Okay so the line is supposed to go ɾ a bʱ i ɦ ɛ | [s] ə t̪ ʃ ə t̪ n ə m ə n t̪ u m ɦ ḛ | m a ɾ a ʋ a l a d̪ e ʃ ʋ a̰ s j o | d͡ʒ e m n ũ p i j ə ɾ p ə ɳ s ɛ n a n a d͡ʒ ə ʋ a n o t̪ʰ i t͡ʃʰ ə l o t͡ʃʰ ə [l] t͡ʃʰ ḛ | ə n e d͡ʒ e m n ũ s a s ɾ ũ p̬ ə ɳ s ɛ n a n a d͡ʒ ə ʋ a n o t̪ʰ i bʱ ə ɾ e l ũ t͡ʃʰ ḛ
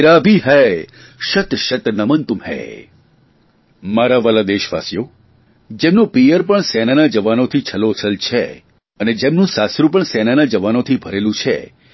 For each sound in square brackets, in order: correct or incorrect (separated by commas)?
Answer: incorrect, correct